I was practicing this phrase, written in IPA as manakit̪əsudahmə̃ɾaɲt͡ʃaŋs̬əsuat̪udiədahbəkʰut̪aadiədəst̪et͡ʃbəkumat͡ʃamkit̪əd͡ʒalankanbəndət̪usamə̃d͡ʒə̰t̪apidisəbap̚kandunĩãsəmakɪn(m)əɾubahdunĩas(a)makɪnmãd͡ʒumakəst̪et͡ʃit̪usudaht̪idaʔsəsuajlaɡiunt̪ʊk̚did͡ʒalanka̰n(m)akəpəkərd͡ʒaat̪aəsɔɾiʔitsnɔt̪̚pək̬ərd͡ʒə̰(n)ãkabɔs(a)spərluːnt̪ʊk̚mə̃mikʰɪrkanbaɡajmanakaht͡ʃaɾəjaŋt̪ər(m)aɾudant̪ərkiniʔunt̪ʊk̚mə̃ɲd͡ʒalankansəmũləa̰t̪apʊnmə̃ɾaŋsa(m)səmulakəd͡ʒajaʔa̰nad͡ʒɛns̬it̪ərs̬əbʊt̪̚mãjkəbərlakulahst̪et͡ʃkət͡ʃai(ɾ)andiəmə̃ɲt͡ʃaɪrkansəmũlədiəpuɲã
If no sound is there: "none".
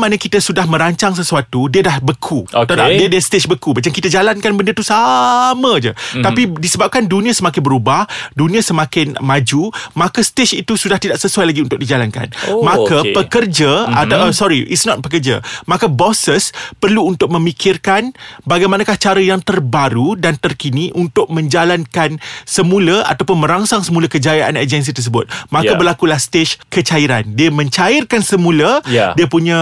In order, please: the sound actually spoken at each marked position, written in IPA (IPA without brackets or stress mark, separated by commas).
b, ə, m, m, ə, b, ŋ, ɾ